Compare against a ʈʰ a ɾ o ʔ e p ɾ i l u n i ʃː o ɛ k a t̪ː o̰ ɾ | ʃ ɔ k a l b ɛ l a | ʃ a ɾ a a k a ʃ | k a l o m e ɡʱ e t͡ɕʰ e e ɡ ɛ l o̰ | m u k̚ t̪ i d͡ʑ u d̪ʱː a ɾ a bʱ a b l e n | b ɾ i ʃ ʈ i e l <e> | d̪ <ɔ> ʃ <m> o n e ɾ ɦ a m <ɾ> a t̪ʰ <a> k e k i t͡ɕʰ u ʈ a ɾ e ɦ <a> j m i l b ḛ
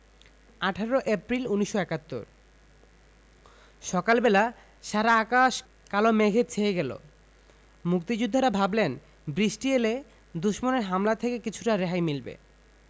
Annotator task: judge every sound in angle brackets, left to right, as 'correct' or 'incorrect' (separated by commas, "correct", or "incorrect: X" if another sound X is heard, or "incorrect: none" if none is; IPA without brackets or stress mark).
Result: correct, incorrect: u, correct, incorrect: l, incorrect: e, correct